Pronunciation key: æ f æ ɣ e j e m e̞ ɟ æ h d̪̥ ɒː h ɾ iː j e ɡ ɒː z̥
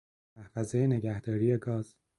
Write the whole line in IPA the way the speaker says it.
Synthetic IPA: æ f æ z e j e n e̞ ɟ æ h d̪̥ ɒː ɾ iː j e ɡ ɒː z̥